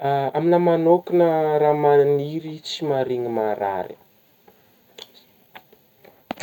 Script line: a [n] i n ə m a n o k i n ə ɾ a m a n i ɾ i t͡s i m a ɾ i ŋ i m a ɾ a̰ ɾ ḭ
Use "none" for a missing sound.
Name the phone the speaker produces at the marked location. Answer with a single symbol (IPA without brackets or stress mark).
m